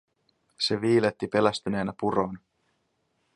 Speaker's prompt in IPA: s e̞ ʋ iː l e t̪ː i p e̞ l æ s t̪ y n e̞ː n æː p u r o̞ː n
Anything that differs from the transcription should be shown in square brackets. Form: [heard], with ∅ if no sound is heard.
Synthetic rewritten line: s e̞ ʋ iː l e t̪ː i p e̞ l æ s t̪ y n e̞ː n [æ] p u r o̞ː n